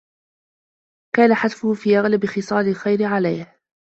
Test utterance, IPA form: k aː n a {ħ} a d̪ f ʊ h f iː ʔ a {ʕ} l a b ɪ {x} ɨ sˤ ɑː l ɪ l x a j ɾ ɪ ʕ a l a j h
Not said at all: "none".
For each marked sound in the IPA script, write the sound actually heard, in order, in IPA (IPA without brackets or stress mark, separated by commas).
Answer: ħ, ɣ, x